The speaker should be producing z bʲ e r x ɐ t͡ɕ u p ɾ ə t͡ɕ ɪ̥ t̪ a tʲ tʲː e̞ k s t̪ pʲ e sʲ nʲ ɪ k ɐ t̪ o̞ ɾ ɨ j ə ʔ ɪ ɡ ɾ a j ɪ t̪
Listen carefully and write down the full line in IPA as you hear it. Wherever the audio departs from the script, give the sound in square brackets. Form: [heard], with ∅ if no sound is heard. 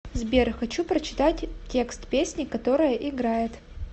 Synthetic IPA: z bʲ e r x ɐ t͡ɕ u p ɾ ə t͡ɕ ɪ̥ t̪ a tʲ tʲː e̞ k s t̪ pʲ e sʲ nʲ ɪ k ɐ t̪ o̞ ɾ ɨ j ə ʔ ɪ ɡ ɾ a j ɪ t̪